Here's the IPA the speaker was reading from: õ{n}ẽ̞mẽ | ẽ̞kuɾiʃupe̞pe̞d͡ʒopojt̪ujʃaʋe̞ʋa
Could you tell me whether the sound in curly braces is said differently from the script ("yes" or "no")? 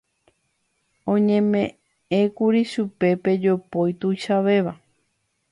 yes